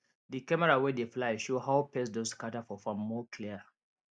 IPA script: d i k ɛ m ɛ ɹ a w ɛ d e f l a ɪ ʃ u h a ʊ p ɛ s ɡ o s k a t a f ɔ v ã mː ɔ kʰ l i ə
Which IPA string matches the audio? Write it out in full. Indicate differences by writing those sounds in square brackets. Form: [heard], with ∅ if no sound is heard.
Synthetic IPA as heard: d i k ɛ m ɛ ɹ a w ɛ d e f l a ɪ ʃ [o] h a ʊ p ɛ s [d] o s k a t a f ɔ [f] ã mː ɔ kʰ l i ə